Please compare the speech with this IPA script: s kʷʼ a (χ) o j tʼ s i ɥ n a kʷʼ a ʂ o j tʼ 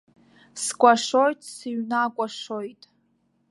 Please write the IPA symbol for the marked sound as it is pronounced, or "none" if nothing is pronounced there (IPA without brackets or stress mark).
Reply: ʂ